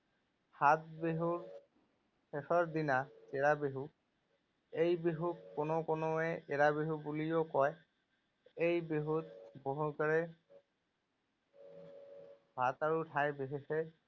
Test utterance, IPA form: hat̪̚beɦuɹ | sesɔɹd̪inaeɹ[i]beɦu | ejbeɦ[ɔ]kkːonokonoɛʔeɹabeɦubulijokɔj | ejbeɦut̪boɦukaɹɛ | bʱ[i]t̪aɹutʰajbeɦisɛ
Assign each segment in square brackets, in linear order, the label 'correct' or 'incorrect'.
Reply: incorrect, incorrect, incorrect

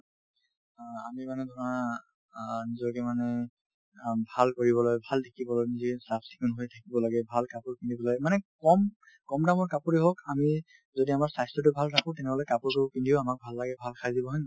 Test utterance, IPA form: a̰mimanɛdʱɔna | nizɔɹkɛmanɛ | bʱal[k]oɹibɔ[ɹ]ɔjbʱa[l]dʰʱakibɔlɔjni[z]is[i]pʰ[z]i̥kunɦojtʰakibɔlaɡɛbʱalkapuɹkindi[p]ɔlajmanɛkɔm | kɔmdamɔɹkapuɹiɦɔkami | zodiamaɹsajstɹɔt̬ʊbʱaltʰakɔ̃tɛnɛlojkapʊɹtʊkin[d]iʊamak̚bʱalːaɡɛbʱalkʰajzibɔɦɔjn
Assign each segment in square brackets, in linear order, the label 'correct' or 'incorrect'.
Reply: correct, incorrect, correct, correct, incorrect, incorrect, incorrect, correct

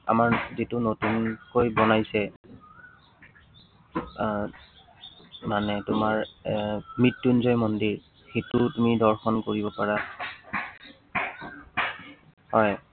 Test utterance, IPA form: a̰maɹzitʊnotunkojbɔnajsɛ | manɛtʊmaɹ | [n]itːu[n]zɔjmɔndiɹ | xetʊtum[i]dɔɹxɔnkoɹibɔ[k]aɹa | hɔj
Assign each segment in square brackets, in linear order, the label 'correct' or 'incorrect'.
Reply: incorrect, correct, correct, incorrect

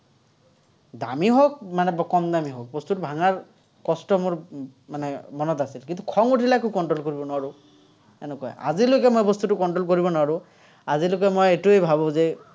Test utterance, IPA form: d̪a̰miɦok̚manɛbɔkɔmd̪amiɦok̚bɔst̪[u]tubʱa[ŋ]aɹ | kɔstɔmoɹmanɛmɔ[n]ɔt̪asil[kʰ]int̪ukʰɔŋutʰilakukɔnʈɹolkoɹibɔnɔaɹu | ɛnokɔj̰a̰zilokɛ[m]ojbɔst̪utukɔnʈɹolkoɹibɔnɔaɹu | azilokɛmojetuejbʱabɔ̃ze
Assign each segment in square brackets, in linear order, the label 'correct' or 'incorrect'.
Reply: correct, correct, correct, incorrect, correct

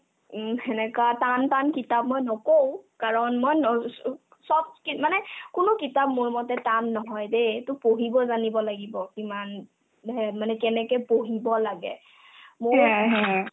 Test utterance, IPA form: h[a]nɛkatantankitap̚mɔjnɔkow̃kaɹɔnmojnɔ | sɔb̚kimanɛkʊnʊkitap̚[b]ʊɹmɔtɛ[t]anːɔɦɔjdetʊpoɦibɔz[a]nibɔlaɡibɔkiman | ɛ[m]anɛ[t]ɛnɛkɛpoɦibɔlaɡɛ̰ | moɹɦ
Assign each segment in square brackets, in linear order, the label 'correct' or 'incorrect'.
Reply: incorrect, incorrect, correct, correct, correct, incorrect

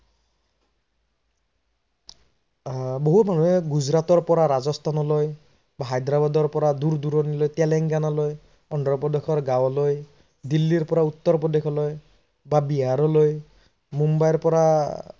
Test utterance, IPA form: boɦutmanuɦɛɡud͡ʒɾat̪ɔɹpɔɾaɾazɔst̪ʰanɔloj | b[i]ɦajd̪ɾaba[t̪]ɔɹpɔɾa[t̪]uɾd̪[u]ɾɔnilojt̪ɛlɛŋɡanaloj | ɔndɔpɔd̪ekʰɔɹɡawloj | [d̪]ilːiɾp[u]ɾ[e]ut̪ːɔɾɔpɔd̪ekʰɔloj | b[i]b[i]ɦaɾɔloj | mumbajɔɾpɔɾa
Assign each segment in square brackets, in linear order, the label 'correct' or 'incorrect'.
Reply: incorrect, incorrect, incorrect, correct, correct, incorrect, incorrect, incorrect, correct

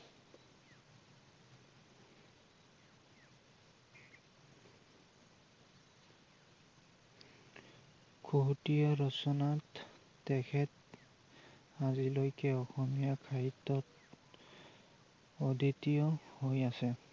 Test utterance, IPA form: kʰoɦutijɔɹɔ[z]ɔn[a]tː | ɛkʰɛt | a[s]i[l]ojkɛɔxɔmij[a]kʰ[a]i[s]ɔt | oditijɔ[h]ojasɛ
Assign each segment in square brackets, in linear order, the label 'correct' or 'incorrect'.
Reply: incorrect, correct, incorrect, correct, correct, correct, incorrect, correct

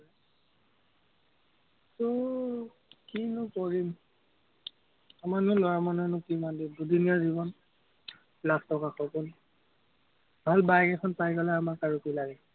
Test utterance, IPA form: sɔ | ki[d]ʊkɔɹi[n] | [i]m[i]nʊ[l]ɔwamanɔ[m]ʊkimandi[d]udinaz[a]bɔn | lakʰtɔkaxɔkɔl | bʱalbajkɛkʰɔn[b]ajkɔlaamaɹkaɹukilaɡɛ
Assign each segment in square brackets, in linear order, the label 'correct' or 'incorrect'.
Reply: incorrect, incorrect, incorrect, incorrect, correct, incorrect, correct, incorrect, incorrect

